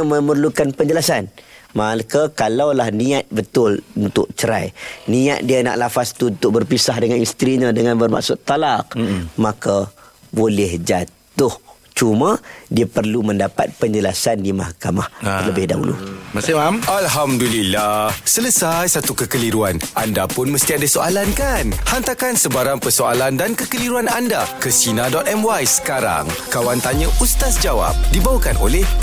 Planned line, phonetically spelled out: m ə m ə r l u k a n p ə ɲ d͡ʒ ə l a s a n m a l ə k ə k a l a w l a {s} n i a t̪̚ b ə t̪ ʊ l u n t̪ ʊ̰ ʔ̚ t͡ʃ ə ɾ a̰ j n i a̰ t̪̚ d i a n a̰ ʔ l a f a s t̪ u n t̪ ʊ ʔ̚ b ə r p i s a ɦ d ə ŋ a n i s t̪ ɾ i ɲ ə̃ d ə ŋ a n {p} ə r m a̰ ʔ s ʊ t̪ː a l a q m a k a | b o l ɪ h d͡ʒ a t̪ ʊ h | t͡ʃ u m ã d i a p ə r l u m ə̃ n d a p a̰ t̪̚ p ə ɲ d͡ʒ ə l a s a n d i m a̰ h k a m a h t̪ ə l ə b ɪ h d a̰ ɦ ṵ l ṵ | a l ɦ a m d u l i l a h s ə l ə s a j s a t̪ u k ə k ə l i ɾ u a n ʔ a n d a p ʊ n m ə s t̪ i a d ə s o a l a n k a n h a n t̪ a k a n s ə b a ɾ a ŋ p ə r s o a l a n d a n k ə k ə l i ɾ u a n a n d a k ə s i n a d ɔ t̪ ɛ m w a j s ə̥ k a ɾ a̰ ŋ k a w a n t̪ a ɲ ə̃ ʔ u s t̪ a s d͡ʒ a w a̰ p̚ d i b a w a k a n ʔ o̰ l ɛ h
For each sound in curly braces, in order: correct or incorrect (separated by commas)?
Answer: incorrect, incorrect